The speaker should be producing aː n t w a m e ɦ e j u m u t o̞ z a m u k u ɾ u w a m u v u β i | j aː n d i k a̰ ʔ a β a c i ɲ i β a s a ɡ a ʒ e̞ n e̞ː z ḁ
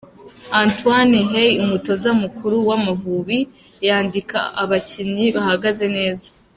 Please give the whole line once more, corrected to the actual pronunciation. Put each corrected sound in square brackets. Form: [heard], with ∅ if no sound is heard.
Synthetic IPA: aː n t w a [n] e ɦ e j u m u t o̞ z a m u k u ɾ u w a m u v u β i | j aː n d i k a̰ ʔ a β a c i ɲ i β a [h] a ɡ a [z] e̞ n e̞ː z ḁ

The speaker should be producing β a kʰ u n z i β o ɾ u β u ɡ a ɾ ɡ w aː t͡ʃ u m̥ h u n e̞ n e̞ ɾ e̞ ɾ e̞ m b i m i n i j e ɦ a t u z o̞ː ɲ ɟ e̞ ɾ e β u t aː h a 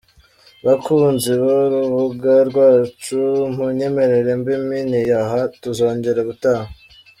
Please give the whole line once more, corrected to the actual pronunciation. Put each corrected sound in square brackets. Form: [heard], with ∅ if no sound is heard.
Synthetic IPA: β a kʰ u n z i β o ɾ u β u ɡ a ɾ ɡ w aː t͡ʃ u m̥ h u [ɲ] e̞ [m] e̞ ɾ e̞ ɾ e̞ m b i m i n i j [a] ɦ a t u z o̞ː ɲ ɟ e̞ ɾ e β u t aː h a

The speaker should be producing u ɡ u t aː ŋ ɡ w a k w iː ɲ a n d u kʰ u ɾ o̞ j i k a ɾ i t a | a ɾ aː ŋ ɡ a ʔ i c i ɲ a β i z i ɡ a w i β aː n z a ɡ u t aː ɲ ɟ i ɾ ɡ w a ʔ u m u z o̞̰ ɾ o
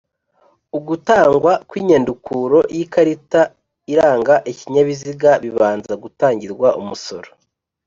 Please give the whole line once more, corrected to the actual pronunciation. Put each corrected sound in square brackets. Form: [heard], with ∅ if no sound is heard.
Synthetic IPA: u ɡ u t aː ŋ ɡ w a k w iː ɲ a n d u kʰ u ɾ o̞ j i k a ɾ i t a | [i] ɾ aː ŋ ɡ a ʔ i c i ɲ a β i z i ɡ a [β] i β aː n z a ɡ u t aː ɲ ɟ i ɾ ɡ w a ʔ u m u [s] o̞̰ ɾ o

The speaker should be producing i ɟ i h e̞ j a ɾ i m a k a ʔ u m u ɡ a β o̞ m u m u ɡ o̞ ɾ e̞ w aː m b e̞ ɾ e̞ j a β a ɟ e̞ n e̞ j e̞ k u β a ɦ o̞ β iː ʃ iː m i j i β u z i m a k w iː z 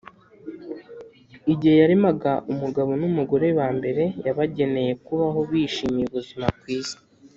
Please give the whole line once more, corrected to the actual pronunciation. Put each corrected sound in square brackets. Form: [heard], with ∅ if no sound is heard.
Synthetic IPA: i ɟ i h e̞ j a ɾ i m a [ɡ] a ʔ u m u ɡ a β o̞ [n] u m u ɡ o̞ ɾ e̞ w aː m b e̞ ɾ e̞ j a β a ɟ e̞ n e̞ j e̞ k u β a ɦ o̞ β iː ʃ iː m i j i β u z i m a k w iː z

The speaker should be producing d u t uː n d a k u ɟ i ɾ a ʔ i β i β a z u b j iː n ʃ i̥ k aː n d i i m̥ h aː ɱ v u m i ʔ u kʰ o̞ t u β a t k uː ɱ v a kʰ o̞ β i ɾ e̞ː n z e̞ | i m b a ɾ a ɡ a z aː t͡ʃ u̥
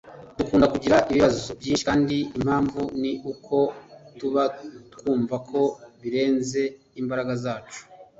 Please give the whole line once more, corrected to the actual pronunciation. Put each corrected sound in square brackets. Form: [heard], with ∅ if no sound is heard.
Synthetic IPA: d u [k] uː n d a k u ɟ i ɾ a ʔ i β i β a z [o] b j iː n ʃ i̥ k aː n d i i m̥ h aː ɱ v u [n] i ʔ u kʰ o̞ t u β a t k uː ɱ v a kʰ o̞ β i ɾ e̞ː n z e̞ | i m b a ɾ a ɡ a z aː t͡ʃ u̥

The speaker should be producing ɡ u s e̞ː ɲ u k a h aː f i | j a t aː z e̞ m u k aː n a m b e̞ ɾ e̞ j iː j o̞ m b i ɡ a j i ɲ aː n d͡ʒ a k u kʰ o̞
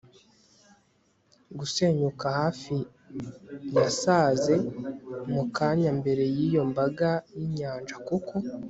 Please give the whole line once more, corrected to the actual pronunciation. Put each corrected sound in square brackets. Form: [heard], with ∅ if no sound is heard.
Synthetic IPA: ɡ u s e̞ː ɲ u k a h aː f i | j a [s] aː z e̞ m u k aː [ɲ] a m b e̞ ɾ e̞ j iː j o̞ m b [a] ɡ a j i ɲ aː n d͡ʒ a k u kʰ o̞

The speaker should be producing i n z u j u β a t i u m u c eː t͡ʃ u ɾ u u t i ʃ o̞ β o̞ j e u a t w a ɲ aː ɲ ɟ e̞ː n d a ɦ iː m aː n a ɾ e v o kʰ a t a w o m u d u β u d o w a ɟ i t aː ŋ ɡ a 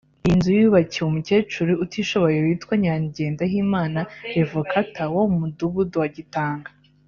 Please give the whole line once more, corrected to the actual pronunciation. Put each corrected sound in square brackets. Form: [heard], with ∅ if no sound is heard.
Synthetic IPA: i n z u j u β a [c] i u m u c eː t͡ʃ u ɾ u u t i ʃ o̞ β o̞ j e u [i] t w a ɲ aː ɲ ɟ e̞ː n d a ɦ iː m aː n a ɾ e v o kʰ a t a w o m u d u β u d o w a ɟ i t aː ŋ ɡ a

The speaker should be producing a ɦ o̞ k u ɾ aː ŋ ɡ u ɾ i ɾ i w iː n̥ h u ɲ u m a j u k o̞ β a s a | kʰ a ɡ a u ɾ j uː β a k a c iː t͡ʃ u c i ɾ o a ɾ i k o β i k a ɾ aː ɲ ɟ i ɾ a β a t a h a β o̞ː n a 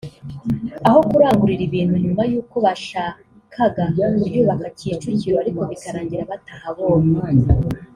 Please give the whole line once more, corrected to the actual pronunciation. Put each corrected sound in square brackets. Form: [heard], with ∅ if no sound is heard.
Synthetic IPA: a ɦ o̞ k u ɾ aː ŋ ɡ u ɾ i ɾ i [β] iː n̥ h u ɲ u m a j [uː] k o̞ β a [ʃ] a | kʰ a ɡ a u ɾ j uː β a k a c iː t͡ʃ u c i ɾ o a ɾ i k o β i k a ɾ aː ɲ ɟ i ɾ a β a t a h a β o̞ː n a

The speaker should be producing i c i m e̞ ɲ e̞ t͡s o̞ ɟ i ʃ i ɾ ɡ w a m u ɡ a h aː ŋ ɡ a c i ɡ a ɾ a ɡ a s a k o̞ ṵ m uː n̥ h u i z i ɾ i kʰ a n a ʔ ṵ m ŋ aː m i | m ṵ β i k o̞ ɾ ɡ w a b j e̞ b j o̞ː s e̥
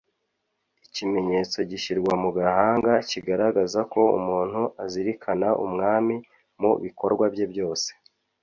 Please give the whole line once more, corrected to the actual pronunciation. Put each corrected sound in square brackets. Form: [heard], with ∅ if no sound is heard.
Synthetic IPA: i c i m e̞ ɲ e̞ t͡s o̞ ɟ i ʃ i ɾ ɡ w a m u ɡ a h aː ŋ ɡ a c i ɡ a ɾ a ɡ a [z] a k o̞ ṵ m uː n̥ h u [a] z i ɾ i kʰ a n a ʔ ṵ m ŋ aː m i | m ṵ β i k o̞ ɾ ɡ w a b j e̞ b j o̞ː s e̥

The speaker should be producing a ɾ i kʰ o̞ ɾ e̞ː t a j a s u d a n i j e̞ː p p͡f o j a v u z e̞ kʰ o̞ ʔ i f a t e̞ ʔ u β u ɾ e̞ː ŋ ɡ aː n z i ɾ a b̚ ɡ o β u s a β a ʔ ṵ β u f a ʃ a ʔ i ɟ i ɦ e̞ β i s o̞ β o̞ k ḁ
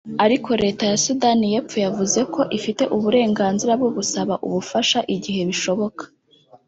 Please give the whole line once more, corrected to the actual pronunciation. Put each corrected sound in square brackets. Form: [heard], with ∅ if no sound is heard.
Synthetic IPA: a ɾ i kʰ o̞ ɾ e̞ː t a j a s u d a n i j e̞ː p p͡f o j a v u z e̞ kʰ o̞ ʔ i f [i] t e̞ ʔ u β u ɾ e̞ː ŋ ɡ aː n z i ɾ a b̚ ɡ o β u s a β a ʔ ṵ β u f a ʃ a ʔ i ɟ i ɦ e̞ β i [ʃ] o̞ β o̞ k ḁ

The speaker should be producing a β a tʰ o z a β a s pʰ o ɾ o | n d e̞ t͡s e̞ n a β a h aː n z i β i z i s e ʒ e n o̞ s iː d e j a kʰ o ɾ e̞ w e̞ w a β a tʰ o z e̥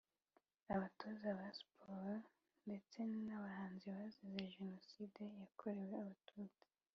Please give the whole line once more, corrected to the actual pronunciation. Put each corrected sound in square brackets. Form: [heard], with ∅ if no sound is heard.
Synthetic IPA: a β a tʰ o z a β a s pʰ o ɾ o | n d e̞ t͡s e̞ n a β a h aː n z i β [a] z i [z] e ʒ e n o̞ s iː d e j a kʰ o ɾ e̞ w e̞ [∅] a β a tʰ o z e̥

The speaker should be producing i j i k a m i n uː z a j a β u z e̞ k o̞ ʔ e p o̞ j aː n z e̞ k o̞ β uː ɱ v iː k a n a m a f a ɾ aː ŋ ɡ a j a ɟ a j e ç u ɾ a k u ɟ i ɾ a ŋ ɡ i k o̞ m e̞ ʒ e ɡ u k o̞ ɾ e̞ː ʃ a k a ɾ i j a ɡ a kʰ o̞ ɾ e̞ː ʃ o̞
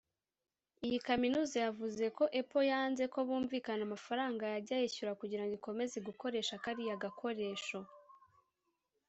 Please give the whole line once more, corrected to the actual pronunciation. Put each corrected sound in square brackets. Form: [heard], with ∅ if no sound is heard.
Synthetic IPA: i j i k a m i n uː z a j a [v] u z e̞ k o̞ ʔ e p o̞ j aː n z e̞ k o̞ β uː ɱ v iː k a n a m a f a ɾ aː ŋ ɡ a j a ɟ a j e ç u ɾ a k u ɟ i ɾ a ŋ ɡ i k o̞ m e̞ [z] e ɡ u k o̞ ɾ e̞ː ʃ a k a ɾ i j a ɡ a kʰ o̞ ɾ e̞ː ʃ o̞

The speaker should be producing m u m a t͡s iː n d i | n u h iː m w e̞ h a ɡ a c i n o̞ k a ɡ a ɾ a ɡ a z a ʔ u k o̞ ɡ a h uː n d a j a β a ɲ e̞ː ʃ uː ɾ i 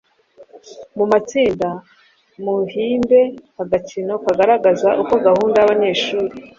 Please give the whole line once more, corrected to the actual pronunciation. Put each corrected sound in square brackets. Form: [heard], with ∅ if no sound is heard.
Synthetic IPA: m u m a t͡s iː n d [a] | [m] u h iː m [b] e̞ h a ɡ a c i n o̞ k a ɡ a ɾ a ɡ a z a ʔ u k o̞ ɡ a h uː n d a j a β a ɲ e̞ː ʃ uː ɾ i

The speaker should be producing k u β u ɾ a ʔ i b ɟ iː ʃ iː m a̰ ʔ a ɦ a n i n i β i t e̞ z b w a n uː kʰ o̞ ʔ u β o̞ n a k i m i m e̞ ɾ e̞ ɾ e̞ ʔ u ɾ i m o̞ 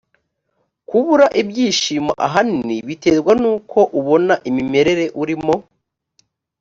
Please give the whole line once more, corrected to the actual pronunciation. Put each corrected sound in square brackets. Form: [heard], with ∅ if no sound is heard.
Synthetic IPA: k u β u ɾ a ʔ i b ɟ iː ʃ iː m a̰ ʔ a ɦ a n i n i β i t e̞ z [ɡ] w a n uː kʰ o̞ ʔ u β o̞ n a [ʔ] i m i m e̞ ɾ e̞ ɾ e̞ ʔ u ɾ i m o̞

